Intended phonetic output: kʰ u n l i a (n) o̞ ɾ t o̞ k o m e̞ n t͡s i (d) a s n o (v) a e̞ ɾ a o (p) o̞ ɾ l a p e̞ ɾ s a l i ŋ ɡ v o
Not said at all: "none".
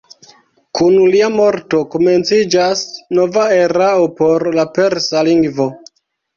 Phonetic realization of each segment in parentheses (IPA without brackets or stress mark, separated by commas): m, d͡ʒ, v, p